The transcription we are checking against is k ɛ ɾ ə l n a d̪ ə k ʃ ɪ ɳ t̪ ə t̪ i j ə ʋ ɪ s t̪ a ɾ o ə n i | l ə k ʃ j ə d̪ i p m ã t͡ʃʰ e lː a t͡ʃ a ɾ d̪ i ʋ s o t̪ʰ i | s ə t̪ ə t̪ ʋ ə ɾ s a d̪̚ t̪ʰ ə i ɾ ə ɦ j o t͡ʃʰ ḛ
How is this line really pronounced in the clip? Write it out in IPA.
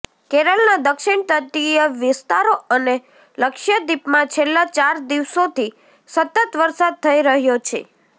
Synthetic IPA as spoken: k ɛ ɾ ə l n a d̪ ə k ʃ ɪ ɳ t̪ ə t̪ i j ə ʋ ɪ s t̪ a ɾ o ə n e | l ə k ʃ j ə d̪ i p m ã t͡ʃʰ e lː a t͡ʃ a ɾ d̪ i ʋ s o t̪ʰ i | s ə t̪ ə t̪ ʋ ə ɾ s a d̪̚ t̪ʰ ə i ɾ ə ɦ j o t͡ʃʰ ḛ